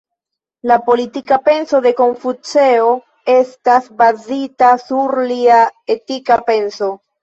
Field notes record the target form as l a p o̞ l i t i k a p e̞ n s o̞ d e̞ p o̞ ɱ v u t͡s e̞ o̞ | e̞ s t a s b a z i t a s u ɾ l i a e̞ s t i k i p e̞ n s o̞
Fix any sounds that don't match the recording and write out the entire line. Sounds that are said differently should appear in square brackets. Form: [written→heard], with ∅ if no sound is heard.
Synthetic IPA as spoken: l a p o̞ l i t i k a p e̞ n s o̞ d e̞ [p→k] o̞ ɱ [v→f] u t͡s e̞ o̞ | e̞ s t a s b a z i t a s u ɾ l i a e̞ [s→∅] t i k [i→a] p e̞ n s o̞